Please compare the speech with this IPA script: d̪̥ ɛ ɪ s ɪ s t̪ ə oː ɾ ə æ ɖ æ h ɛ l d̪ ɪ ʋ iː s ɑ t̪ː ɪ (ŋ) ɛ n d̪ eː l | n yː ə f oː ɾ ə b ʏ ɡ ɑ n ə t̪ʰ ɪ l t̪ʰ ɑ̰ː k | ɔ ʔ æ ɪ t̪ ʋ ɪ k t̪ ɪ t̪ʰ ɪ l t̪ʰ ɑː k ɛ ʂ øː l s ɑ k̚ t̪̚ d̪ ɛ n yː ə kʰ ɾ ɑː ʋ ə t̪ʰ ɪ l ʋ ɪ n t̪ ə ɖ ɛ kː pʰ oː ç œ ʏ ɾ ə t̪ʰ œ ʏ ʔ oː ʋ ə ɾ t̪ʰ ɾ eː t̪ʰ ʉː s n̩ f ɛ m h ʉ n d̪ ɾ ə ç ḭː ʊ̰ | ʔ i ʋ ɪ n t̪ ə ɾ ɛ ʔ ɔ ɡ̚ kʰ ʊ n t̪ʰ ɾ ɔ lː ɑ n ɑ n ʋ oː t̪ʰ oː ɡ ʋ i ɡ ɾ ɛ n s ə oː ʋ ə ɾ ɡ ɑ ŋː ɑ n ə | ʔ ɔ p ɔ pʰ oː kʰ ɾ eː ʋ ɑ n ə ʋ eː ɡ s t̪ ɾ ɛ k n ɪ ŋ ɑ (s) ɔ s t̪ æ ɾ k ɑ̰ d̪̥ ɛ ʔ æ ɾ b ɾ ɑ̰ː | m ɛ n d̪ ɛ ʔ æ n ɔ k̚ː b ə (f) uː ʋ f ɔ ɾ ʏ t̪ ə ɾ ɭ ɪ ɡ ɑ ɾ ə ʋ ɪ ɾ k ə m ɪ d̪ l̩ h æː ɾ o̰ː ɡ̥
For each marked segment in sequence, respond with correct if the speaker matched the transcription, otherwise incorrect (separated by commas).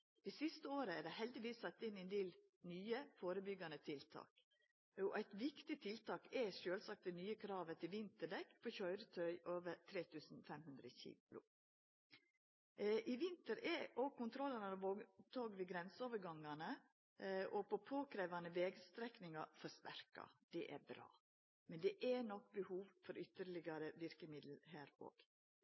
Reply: incorrect, incorrect, incorrect